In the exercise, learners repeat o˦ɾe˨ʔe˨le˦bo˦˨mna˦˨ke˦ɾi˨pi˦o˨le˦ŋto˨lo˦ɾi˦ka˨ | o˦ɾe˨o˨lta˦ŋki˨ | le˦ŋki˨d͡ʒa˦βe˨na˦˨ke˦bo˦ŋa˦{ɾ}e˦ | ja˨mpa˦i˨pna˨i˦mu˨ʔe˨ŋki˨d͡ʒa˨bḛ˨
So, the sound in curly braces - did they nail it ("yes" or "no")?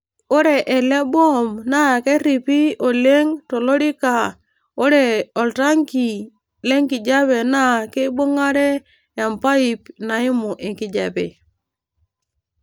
yes